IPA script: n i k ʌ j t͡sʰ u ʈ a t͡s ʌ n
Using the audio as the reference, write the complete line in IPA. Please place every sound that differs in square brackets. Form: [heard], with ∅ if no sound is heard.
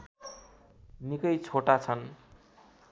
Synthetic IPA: n i k ʌ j t͡sʰ [o] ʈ a [t͡sʰ] ʌ n